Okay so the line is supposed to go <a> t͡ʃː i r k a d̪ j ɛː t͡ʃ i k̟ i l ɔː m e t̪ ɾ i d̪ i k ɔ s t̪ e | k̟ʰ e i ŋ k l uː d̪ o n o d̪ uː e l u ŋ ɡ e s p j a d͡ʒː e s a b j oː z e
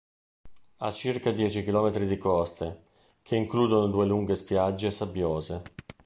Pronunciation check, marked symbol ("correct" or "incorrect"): correct